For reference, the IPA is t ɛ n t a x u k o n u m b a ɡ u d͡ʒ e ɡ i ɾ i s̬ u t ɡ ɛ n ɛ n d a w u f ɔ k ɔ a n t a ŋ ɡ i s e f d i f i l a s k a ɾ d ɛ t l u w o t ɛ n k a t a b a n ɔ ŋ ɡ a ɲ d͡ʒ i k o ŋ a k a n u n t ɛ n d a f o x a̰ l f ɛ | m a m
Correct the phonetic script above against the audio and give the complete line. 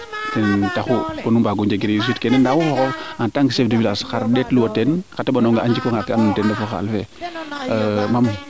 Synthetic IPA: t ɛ n t a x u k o n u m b a ɡ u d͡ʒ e ɡ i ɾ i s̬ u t k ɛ n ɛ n d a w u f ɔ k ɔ a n t a ŋ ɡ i s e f d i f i l a s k a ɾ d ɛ t l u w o t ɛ n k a t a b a n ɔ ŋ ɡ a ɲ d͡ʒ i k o ŋ a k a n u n t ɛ n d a f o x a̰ l f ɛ | m a m